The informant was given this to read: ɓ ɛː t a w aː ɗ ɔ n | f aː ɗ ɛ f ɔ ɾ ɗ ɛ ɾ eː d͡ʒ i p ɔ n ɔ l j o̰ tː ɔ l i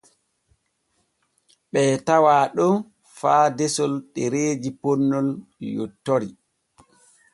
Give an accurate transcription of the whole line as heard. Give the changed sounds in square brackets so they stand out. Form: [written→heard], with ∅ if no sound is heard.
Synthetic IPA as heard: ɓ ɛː t a w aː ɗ ɔ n | f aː [ɗ→d] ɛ [f→s] ɔ [ɾ→l] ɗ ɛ ɾ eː d͡ʒ i p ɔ [n→nː] ɔ l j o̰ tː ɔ [l→ɾ] i